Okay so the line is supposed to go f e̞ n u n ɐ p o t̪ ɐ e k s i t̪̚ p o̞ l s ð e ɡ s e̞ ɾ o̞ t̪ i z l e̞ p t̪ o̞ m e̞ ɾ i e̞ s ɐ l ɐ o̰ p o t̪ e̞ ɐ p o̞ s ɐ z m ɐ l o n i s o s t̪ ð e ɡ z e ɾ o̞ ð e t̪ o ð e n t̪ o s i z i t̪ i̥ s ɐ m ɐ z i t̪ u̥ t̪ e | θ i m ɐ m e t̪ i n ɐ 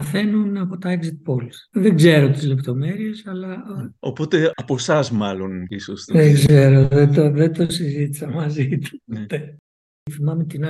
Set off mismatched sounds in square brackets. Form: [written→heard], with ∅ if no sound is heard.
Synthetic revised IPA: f e̞ n u n ɐ p o t̪ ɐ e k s i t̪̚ p o̞ l s ð e ɡ [s→z] e̞ ɾ o̞ t̪ i z l e̞ p t̪ o̞ m e̞ ɾ i e̞ s ɐ l ɐ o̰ p o t̪ e̞ ɐ p o̞ s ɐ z m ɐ l o n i s o s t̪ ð e ɡ z e ɾ o̞ ð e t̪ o ð e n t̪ o s i z i t̪ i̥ s ɐ m ɐ z i t̪ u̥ t̪ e | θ i m ɐ m e t̪ i n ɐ